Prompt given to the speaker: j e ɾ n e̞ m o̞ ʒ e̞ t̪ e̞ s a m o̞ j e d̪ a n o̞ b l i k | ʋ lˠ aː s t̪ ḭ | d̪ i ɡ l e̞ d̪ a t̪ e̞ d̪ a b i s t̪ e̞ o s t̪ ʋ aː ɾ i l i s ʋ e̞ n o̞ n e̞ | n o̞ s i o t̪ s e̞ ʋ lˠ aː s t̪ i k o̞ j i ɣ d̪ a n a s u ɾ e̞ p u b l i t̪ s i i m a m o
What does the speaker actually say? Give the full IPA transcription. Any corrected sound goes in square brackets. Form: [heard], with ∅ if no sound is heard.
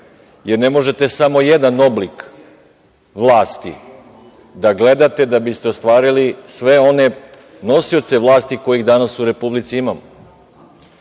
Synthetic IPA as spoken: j e ɾ n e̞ m o̞ ʒ e̞ t̪ e̞ s a m o̞ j e d̪ a n o̞ b l i k | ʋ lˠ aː s t̪ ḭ | d̪ [a] ɡ l e̞ d̪ a t̪ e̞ d̪ a b i s t̪ e̞ o s t̪ ʋ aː ɾ i l i s ʋ e̞ [∅] o̞ n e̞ | n o̞ s i o t̪ s e̞ ʋ lˠ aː s t̪ i k o̞ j i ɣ d̪ a n a s u ɾ e̞ p u b l i t̪ s i i m a m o